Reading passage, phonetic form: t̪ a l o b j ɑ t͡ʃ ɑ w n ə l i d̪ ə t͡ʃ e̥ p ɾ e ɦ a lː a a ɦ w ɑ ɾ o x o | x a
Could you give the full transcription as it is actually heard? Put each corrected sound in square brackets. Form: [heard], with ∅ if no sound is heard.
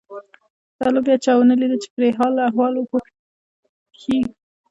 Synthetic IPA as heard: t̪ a l o b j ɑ t͡ʃ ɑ w n ə l i d̪ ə t͡ʃ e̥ p ɾ e ɦ [ɑ] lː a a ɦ w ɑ [l] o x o | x [i]